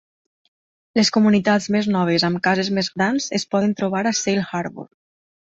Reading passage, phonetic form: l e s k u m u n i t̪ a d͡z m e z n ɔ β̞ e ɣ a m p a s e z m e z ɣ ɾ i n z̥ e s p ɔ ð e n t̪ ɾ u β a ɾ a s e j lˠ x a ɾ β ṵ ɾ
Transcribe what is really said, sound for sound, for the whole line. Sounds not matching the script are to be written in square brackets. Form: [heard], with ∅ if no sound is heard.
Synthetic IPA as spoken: l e s k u m u n i t̪ a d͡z m e z n ɔ β̞ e [z] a m [k] a [z] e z m e z ɣ ɾ [a] n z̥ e s p ɔ ð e n t̪ ɾ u β a ɾ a s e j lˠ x a ɾ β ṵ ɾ